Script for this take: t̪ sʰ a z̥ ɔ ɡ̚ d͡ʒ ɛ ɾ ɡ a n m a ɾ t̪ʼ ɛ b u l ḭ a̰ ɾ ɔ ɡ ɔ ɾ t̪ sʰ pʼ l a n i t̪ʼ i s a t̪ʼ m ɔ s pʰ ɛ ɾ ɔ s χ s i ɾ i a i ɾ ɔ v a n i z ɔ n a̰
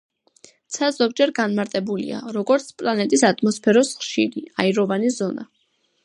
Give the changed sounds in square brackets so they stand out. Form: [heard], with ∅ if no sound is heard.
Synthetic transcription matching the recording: t̪ sʰ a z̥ ɔ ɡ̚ d͡ʒ ɛ ɾ ɡ a n m a ɾ t̪ʼ ɛ b u l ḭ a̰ ɾ ɔ ɡ ɔ ɾ t̪ sʰ pʼ l a n [ɛ] t̪ʼ i s a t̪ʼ m ɔ s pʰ ɛ ɾ ɔ s χ [ʃ] i ɾ i a i ɾ ɔ v a n i z ɔ n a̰

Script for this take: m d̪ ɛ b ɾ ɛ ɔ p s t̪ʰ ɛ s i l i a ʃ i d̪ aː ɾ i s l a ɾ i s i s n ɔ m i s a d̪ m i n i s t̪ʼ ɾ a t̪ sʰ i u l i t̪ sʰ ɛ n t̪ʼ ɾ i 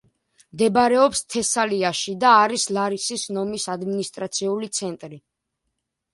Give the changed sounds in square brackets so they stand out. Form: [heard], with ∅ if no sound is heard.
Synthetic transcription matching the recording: m d̪ ɛ b ɾ ɛ ɔ p s t̪ʰ ɛ s [a] l i a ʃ i d̪ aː ɾ i s l a ɾ i s i s n ɔ m i s a d̪ m i n i s t̪ʼ ɾ a t̪ sʰ i u l i t̪ sʰ ɛ n t̪ʼ ɾ i

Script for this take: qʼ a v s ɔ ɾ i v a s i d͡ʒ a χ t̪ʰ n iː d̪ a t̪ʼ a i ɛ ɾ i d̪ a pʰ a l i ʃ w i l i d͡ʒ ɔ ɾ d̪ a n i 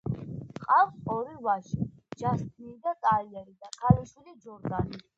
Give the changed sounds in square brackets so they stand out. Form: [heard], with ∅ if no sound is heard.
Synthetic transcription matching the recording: qʼ a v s ɔ ɾ i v a [ʃ] i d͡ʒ a [s] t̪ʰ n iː d̪ a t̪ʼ a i ɛ ɾ i d̪ a [kʰ] a l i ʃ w i l i d͡ʒ ɔ ɾ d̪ a n i

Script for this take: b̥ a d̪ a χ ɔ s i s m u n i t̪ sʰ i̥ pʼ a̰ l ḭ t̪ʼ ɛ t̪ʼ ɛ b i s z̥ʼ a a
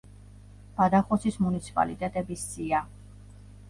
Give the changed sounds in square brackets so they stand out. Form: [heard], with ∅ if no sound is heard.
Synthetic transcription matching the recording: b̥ a d̪ a χ ɔ s i s m u n i t̪ sʰ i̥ pʼ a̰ l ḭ t̪ʼ ɛ t̪ʼ ɛ b i s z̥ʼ [i] a

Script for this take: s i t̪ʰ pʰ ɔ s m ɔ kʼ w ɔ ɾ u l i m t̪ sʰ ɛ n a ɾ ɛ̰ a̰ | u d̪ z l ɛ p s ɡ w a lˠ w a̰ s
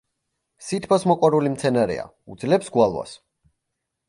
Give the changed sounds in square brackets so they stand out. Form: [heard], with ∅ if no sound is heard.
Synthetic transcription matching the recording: s i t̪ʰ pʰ ɔ s m ɔ kʼ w ɔ ɾ u l i m t̪ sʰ ɛ n a ɾ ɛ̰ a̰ | u d̪ z l ɛ p s ɡ w a lˠ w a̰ s

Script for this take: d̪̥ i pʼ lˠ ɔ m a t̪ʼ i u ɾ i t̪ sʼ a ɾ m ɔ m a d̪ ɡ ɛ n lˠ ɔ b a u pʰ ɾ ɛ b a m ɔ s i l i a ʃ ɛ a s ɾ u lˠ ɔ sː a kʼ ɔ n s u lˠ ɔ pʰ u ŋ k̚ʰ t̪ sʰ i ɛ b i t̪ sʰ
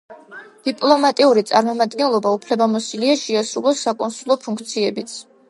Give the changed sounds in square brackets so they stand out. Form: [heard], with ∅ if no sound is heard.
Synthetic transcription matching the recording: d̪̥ i pʼ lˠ ɔ m a t̪ʼ i u ɾ i t̪ sʼ a ɾ m ɔ m a d̪ ɡ ɛ n lˠ ɔ b a u pʰ [l] ɛ b a m ɔ s i l i a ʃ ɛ a s ɾ u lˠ ɔ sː a kʼ ɔ n s u lˠ ɔ pʰ u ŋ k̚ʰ t̪ sʰ i ɛ b i t̪ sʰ

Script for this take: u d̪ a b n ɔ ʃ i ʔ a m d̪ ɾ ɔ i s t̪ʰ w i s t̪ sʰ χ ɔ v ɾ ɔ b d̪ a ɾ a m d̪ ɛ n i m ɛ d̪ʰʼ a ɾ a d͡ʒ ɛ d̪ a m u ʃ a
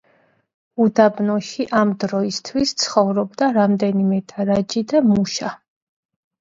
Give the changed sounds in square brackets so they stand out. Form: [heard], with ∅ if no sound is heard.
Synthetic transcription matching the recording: u d̪ a b n ɔ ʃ i ʔ a m d̪ ɾ ɔ i s t̪ʰ w i s t̪ sʰ χ ɔ v ɾ ɔ b d̪ a ɾ a m d̪ ɛ n i m ɛ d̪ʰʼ a ɾ a d͡ʒ [i] d̪ a m u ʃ a

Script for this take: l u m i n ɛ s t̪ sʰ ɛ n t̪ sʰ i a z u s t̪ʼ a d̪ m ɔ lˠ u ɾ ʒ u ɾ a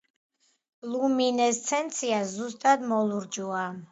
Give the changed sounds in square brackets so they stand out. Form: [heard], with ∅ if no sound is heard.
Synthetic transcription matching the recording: l u m i n ɛ s t̪ sʰ ɛ n t̪ sʰ i a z u s t̪ʼ a d̪ m ɔ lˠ u ɾ [d͡ʒ] u [∅] a

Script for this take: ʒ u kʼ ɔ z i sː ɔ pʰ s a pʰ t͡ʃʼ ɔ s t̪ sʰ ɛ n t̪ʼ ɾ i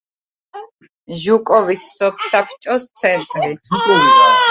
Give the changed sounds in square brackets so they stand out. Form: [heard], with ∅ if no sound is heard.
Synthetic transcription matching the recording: ʒ u kʼ ɔ [v] i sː ɔ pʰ s a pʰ t͡ʃʼ ɔ s t̪ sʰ ɛ n t̪ʼ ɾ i

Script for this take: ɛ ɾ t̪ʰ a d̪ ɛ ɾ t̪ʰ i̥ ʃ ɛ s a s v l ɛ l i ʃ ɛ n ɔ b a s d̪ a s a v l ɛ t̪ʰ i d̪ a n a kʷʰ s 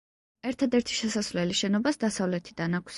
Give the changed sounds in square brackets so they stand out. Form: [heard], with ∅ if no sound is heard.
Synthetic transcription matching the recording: ɛ ɾ t̪ʰ a d̪ ɛ ɾ t̪ʰ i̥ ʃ ɛ s a s v l ɛ l i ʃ ɛ n ɔ b a s d̪ a s a v l ɛ t̪ʰ i d̪ a n a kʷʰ s

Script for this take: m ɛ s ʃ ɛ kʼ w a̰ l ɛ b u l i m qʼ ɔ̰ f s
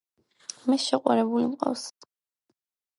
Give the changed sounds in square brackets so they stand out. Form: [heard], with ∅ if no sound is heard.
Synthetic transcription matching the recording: m ɛ s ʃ ɛ [qʼ] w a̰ [ɾ] ɛ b u l i m qʼ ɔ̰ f s

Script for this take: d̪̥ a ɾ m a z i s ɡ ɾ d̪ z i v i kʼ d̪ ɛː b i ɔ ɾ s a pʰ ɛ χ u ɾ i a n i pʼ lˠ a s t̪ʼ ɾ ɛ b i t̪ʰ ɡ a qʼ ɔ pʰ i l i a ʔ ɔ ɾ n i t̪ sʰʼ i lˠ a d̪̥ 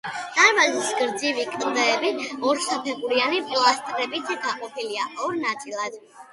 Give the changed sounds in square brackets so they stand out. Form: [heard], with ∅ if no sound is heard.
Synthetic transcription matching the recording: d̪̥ a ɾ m a z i s ɡ ɾ d̪ z i v i kʼ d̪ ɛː b i ɔ ɾ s a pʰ ɛ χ u ɾ i a n i pʼ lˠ a s t̪ʼ ɾ ɛ b i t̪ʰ ɡ a qʼ ɔ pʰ i l i a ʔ ɔ ɾ n [a] t̪ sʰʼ i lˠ a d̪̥

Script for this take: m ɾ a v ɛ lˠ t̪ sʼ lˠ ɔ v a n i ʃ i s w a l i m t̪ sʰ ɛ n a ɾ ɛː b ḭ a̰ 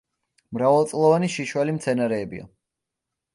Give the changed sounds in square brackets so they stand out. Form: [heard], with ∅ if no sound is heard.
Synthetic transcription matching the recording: m ɾ a v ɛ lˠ t̪ sʼ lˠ ɔ v a n i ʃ i [ʃ] w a l i m t̪ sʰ ɛ n a ɾ ɛː b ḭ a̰

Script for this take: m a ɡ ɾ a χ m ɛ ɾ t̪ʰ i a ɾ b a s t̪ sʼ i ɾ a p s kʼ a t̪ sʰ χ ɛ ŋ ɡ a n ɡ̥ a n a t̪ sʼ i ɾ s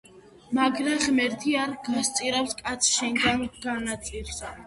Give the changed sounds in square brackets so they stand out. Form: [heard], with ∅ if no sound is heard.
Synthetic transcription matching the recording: m a ɡ ɾ a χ m ɛ ɾ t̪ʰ i a ɾ [ɡ] a s t̪ sʼ i ɾ a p s kʼ a t̪ sʰ [ʃ] ɛ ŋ ɡ a n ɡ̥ a n a t̪ sʼ i ɾ s

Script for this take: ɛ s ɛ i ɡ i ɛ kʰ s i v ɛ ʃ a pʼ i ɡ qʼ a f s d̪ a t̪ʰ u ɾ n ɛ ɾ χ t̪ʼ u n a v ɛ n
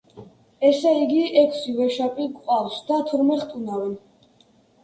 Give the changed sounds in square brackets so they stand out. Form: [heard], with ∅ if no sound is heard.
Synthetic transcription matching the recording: ɛ s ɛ i ɡ i ɛ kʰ s i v ɛ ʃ a pʼ i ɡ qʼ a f s d̪ a t̪ʰ u ɾ [m] ɛ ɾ χ t̪ʼ u n a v ɛ n

